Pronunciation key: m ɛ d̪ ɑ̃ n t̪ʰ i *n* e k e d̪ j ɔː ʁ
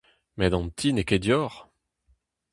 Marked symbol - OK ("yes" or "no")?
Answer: yes